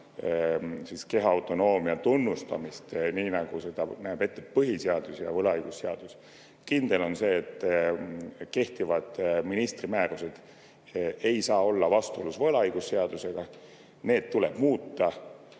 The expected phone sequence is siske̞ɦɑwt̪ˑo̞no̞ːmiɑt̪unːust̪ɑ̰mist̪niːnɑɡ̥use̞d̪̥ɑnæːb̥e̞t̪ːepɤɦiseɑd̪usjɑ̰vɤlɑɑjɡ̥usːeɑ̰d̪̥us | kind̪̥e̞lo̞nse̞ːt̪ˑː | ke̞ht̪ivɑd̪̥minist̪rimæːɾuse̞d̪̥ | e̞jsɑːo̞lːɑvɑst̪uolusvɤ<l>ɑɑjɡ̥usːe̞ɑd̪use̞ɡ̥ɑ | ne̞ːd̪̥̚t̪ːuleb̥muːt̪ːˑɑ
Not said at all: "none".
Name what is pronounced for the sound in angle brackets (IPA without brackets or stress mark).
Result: l